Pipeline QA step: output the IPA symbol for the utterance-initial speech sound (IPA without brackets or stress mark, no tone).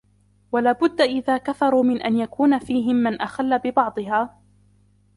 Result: w